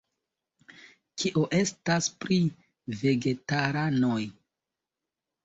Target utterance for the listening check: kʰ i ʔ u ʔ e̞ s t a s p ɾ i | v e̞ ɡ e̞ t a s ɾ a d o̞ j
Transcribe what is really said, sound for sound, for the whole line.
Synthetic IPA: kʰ i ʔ o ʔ e̞ s t a s p ɾ i | v e̞ ɡ e̞ t a ɾ a n o̞ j